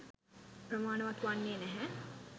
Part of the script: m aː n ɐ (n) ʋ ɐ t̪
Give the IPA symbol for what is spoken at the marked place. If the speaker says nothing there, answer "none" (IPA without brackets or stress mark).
none